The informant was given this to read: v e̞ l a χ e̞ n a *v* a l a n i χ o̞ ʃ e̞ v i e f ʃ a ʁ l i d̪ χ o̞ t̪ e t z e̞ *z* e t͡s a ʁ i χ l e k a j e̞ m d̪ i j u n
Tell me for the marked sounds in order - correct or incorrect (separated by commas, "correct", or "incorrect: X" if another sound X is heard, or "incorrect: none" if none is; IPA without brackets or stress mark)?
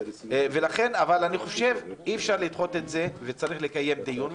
correct, incorrect: v